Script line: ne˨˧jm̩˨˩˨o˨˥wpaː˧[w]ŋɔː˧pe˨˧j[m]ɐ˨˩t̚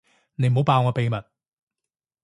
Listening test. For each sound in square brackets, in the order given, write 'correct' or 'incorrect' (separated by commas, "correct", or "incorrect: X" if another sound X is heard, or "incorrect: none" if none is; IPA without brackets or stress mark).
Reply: correct, correct